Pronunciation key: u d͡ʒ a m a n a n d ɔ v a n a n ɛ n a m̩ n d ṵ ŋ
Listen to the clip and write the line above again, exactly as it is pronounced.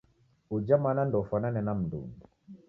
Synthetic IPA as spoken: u d͡ʒ a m a n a n d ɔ f a n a n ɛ n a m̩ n d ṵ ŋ